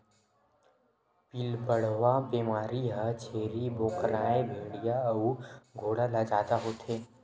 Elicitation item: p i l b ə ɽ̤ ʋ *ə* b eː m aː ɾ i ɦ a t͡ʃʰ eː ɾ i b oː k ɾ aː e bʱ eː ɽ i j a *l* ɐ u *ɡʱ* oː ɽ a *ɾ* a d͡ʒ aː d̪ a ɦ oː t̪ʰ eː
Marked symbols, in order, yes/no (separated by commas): no, no, yes, no